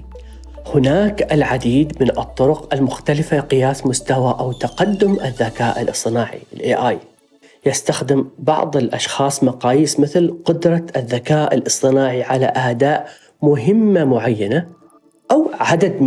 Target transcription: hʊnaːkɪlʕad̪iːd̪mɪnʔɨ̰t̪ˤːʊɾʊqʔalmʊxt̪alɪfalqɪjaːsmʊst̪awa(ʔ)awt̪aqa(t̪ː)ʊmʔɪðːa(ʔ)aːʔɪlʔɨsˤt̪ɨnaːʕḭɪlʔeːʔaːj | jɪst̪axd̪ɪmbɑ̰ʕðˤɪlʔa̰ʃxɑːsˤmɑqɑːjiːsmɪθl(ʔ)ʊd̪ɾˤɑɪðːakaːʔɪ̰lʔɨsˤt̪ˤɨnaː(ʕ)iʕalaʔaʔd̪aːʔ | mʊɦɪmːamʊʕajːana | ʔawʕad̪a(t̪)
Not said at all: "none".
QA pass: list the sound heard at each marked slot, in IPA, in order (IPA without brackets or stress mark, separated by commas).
ʔ, d̪ː, k, q, ʕ, d̪